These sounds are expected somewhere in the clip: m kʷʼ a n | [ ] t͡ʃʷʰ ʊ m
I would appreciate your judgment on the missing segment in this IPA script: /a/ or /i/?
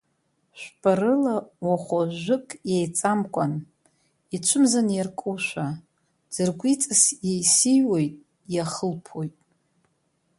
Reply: i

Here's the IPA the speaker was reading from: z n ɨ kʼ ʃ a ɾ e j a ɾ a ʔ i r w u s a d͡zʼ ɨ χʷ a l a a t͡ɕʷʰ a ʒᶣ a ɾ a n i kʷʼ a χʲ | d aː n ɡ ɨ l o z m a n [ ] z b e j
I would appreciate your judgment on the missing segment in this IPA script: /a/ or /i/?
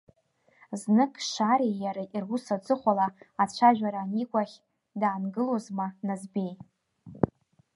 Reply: a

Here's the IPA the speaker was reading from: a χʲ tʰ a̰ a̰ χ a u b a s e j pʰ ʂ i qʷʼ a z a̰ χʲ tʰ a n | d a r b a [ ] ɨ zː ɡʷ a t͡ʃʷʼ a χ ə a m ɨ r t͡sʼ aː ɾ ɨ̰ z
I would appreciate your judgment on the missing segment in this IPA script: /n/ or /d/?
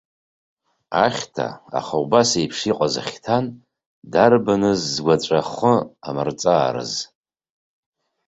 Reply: n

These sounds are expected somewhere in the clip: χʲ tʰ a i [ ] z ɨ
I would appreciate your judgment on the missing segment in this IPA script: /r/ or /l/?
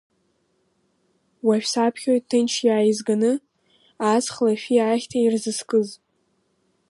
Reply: r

